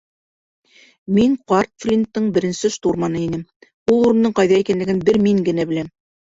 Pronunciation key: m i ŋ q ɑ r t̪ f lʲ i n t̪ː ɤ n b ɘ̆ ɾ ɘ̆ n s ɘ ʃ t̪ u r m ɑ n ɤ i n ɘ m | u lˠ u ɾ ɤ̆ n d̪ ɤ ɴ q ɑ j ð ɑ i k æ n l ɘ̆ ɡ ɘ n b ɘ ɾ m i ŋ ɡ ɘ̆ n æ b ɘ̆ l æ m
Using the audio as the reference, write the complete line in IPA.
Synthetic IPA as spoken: m i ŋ q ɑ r t̪ f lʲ i n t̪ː ɤ ɴ b ɘ̆ ɾ ɘ̆ n s ɘ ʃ t̪ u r m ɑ n ɤ i n ɘ m | u lˠ u ɾ ɤ̆ n d̪ ɤ ɴ q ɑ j ð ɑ i k æ n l ɘ̆ ɡ ɘ n b ɘ ɾ m i ŋ ɡ ɘ̆ n æ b ɘ̆ l æ m